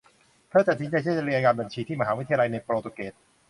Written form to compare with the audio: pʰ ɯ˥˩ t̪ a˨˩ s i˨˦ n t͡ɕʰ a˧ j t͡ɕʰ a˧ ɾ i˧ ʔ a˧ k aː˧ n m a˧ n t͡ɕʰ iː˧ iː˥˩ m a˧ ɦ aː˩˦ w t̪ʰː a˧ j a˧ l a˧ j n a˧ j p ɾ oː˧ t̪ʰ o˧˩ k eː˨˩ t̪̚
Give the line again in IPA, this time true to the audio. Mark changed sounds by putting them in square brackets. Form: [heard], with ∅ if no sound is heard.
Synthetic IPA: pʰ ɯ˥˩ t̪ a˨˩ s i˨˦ n [t͡ɕ] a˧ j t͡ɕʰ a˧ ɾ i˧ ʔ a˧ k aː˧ n [b] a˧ n t͡ɕʰ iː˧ iː˥˩ m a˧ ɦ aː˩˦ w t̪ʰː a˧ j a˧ l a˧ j n a˧ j p ɾ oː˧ [t̪] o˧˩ k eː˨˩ t̪̚